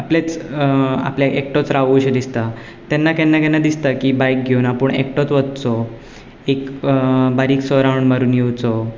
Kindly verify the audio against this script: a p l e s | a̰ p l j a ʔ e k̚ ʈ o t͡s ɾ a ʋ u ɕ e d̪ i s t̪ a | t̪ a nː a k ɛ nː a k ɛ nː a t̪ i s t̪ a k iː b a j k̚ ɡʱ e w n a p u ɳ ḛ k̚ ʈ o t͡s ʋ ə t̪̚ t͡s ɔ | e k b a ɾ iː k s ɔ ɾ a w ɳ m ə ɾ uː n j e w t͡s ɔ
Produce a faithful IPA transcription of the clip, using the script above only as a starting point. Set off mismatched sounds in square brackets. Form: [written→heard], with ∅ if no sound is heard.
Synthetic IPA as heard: a p l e [s→t͡s] | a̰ p l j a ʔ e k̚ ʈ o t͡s ɾ a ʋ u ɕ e d̪ i s t̪ a | t̪ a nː a k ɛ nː a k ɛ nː a [t̪→d̪] i s t̪ a k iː b a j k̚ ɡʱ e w n a p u ɳ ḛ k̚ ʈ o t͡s ʋ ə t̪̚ t͡s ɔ | e k b a ɾ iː k s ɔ ɾ a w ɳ m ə ɾ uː n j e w t͡s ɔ